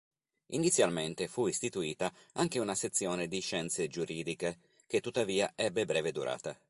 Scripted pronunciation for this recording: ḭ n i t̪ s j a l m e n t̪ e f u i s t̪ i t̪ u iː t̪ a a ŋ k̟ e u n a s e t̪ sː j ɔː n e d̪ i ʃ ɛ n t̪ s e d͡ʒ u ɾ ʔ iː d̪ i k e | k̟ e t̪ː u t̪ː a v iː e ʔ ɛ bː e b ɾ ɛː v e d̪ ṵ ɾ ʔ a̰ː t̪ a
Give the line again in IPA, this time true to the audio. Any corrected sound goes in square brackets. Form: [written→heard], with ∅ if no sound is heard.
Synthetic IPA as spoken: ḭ n i t̪ s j a l m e n t̪ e f u i s t̪ i t̪ u iː t̪ a a ŋ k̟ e u n a s e t̪ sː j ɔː n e d̪ i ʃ ɛ n t̪ s e d͡ʒ u ɾ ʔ iː d̪ i k e | k̟ e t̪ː u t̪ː a v iː [e→a] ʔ ɛ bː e b ɾ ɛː v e d̪ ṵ ɾ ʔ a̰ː t̪ a